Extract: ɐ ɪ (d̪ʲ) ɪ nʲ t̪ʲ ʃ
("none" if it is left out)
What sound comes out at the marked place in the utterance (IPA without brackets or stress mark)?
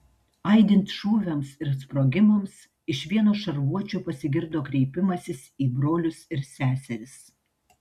d̪ʲ